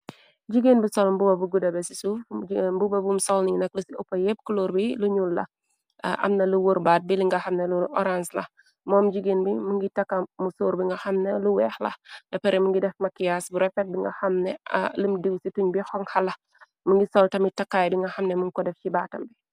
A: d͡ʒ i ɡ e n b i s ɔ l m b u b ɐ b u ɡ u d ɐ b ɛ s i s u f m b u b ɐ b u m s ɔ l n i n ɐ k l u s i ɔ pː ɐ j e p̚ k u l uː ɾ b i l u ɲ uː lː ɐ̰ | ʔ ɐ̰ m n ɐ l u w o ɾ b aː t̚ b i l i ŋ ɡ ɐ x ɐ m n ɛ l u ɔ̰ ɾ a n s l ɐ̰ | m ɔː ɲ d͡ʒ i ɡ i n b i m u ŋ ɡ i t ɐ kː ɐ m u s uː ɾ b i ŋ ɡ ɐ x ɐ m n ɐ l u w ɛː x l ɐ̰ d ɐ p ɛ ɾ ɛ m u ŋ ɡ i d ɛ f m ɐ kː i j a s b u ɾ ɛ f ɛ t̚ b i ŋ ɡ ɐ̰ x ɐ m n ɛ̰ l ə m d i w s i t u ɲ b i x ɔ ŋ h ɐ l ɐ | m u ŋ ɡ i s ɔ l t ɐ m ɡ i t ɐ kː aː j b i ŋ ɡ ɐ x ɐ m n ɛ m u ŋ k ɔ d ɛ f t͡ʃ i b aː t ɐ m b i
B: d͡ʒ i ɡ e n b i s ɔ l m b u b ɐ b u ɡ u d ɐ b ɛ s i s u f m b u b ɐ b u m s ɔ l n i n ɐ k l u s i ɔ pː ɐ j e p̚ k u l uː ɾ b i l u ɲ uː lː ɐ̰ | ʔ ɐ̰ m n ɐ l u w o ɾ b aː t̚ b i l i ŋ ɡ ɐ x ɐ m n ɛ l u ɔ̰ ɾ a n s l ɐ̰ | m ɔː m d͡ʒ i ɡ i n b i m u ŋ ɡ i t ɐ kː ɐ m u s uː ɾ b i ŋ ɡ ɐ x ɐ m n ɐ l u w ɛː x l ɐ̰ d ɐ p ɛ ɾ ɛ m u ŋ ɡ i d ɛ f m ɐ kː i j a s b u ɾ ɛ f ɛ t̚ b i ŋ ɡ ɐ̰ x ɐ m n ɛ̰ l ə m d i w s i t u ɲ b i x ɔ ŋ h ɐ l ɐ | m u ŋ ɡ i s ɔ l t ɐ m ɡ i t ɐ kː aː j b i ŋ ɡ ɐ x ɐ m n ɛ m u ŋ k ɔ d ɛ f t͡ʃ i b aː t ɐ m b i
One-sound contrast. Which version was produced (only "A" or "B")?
B